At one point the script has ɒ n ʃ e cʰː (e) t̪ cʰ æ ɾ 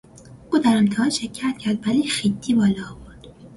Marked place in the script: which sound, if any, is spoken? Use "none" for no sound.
æ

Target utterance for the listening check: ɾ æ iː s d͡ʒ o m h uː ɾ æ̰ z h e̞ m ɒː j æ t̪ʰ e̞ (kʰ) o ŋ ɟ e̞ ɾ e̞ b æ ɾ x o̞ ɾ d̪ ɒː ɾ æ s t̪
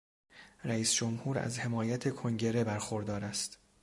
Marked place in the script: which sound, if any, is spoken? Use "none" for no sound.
kʰ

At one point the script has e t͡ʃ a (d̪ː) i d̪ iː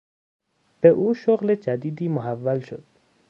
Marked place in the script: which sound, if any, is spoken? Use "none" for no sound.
d̪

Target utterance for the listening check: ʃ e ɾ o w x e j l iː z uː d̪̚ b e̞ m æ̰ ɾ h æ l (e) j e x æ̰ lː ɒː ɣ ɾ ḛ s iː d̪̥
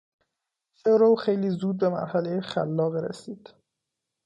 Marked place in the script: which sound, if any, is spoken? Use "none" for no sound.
e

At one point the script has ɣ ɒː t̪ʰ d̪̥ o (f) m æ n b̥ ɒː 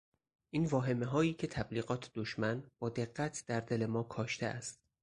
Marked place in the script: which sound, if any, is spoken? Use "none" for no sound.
ʃ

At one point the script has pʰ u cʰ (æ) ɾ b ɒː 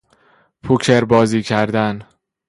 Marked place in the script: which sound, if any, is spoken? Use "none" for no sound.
e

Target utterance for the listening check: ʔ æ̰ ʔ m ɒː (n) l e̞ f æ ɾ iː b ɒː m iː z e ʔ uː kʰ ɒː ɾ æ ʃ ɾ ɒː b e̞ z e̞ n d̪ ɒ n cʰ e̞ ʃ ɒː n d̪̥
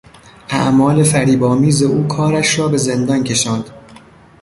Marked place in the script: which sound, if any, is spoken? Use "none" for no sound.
none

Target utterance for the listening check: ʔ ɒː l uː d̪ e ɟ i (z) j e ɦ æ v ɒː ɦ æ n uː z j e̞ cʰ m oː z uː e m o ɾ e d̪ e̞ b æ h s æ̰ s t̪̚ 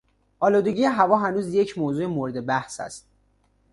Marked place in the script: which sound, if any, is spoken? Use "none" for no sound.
none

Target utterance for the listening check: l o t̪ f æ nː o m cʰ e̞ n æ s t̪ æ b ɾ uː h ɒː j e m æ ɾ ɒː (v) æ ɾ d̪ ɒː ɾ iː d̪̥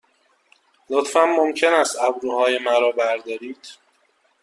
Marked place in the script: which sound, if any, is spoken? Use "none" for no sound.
b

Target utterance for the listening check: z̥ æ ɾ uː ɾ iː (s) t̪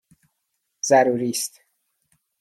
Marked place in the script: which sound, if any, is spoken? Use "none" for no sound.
s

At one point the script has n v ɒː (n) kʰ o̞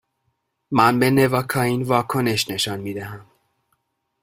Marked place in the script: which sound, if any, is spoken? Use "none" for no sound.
none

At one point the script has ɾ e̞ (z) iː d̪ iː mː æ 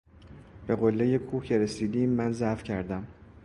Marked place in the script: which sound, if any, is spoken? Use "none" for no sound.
s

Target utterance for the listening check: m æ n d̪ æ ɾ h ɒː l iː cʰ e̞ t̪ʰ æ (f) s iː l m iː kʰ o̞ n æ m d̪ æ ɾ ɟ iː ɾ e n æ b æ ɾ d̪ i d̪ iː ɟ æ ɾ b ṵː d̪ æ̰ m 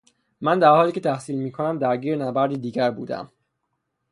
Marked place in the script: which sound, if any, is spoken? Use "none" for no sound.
h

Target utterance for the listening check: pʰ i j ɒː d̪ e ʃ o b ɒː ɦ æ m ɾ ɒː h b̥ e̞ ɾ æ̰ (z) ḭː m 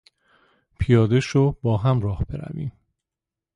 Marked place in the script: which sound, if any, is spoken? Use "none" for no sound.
v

